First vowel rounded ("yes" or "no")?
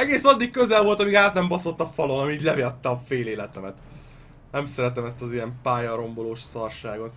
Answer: no